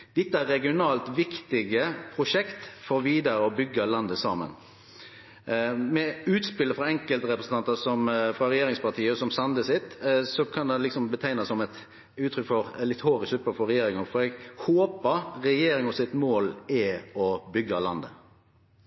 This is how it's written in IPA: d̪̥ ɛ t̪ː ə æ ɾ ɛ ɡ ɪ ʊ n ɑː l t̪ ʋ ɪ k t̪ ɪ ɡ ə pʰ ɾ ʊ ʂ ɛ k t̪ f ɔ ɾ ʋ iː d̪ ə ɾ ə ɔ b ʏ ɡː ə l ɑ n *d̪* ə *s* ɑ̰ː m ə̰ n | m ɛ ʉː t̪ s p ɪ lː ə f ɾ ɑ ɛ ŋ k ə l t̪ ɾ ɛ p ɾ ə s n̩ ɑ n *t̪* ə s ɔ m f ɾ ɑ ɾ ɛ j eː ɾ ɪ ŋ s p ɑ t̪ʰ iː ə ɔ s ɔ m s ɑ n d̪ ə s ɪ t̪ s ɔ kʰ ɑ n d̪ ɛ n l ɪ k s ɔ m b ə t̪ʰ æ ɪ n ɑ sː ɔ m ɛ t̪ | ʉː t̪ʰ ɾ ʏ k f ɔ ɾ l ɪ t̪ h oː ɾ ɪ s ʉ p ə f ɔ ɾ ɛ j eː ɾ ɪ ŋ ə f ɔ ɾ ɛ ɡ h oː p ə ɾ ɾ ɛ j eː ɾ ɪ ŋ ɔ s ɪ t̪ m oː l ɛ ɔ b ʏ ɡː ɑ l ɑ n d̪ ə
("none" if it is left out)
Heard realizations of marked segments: d̪, s, t̪

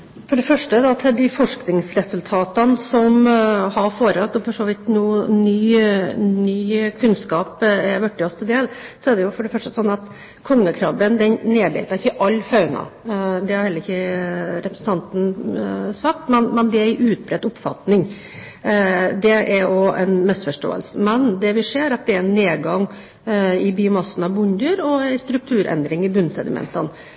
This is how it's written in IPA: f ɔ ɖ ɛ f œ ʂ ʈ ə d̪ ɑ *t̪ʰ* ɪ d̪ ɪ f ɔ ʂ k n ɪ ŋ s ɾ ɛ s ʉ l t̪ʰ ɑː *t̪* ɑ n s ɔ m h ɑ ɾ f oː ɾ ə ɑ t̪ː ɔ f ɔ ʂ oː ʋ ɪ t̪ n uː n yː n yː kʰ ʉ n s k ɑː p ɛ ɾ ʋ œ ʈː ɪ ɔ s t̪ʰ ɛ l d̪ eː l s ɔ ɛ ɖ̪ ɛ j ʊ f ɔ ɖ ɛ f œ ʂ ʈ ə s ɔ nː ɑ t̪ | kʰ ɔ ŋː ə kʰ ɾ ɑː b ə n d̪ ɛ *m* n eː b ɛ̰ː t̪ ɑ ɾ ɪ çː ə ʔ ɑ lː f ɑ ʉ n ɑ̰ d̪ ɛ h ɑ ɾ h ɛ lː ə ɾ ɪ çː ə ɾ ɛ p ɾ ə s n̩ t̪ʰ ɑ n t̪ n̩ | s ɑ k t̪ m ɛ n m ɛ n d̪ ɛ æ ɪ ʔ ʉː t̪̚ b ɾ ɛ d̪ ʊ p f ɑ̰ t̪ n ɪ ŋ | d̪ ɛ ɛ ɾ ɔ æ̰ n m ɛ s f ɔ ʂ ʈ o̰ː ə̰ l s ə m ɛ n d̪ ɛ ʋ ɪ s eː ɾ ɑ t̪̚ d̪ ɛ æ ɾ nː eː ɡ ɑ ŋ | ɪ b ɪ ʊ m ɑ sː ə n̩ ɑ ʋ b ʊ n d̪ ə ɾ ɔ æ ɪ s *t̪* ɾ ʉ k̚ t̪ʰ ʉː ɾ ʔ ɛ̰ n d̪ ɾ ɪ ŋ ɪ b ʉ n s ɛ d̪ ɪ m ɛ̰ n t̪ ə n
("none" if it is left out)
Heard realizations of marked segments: t̪ʰ, t̪, n, t̪

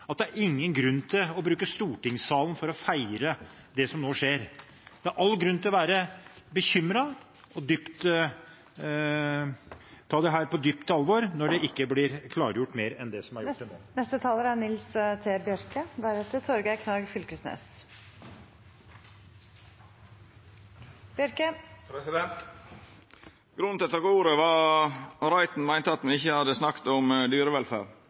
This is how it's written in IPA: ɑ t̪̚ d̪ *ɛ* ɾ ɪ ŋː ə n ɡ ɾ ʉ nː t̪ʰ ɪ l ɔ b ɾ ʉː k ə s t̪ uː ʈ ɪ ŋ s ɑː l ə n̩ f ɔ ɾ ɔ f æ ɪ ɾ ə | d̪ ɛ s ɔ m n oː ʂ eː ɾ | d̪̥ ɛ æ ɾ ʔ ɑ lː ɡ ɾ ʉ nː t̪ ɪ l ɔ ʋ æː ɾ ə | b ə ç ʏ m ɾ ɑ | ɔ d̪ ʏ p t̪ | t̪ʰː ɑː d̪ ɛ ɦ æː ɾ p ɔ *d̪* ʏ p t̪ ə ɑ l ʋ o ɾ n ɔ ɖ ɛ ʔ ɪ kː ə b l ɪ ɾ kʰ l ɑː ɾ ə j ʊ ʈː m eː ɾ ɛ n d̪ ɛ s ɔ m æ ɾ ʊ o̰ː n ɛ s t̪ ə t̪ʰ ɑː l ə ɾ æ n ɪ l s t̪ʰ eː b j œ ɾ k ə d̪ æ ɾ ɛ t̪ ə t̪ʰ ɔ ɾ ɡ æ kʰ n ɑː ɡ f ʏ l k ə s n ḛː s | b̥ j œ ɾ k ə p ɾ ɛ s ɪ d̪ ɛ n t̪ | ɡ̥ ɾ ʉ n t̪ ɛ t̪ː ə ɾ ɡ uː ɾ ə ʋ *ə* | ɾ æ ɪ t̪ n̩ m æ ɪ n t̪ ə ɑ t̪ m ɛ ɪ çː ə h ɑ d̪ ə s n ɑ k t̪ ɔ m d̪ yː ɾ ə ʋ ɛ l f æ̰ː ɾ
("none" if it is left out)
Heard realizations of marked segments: æ, d̪, ɑ

